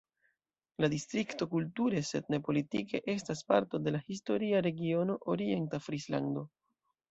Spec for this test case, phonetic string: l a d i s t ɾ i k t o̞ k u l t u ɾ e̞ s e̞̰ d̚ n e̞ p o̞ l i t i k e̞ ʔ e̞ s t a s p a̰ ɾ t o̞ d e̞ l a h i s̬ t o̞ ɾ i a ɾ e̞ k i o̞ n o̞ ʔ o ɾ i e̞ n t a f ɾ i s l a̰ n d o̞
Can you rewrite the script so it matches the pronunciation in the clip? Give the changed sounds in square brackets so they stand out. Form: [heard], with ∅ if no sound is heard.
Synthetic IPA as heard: l a d i s t ɾ i k t o̞ k u l t u ɾ e̞ s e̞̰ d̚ n e̞ p o̞ l i t i k e̞ ʔ e̞ s t a s p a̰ ɾ t o̞ d e̞ l a h i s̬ t o̞ ɾ i a ɾ e̞ [ɡ] i o̞ n o̞ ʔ o ɾ i e̞ n t a f ɾ i s l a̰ n d o̞